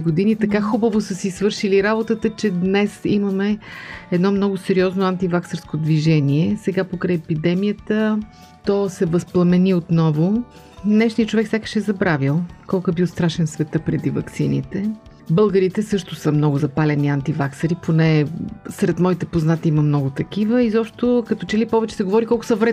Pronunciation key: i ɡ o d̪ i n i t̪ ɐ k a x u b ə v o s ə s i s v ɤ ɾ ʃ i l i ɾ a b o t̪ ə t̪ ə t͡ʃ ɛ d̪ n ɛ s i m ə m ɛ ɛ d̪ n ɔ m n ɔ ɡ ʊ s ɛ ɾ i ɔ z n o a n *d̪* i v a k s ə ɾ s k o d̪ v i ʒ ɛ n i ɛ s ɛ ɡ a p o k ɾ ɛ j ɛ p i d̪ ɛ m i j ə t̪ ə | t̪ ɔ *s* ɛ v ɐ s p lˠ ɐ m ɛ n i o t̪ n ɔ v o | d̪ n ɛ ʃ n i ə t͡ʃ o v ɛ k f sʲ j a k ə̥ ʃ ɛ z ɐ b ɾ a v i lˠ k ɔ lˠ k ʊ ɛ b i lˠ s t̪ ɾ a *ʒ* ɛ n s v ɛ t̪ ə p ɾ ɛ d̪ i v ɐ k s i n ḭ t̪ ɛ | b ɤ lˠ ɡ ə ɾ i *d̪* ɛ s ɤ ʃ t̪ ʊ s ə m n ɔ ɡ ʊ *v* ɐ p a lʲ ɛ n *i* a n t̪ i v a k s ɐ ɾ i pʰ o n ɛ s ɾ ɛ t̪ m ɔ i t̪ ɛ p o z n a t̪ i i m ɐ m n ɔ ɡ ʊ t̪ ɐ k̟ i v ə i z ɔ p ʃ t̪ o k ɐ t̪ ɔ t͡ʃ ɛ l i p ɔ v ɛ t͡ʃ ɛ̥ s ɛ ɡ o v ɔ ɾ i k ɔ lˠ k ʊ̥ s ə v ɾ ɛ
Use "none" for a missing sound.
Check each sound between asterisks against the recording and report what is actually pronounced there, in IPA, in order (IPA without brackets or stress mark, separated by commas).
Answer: t̪, s, ʃ, t̪, z, i